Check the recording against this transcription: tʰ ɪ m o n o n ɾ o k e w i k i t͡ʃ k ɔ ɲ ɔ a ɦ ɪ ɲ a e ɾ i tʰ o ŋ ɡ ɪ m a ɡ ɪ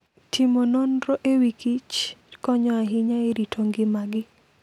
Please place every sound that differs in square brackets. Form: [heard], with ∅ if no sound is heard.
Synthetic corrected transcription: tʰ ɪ m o n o n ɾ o [ʔ] e w i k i t͡ʃ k ɔ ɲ ɔ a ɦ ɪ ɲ a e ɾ i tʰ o ŋ ɡ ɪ m a ɡ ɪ